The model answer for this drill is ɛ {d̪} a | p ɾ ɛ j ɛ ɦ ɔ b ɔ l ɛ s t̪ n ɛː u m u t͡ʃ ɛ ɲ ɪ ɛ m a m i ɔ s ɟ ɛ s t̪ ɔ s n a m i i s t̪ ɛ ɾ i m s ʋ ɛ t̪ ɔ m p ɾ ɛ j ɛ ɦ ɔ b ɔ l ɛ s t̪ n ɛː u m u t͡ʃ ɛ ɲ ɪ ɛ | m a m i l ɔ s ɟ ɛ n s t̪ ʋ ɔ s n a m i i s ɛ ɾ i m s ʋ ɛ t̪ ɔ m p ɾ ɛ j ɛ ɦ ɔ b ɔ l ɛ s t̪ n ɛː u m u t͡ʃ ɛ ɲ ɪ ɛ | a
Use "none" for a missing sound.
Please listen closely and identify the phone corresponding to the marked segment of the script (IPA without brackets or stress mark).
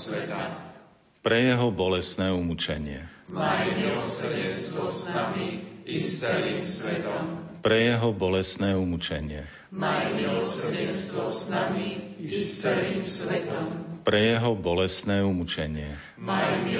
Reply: t̪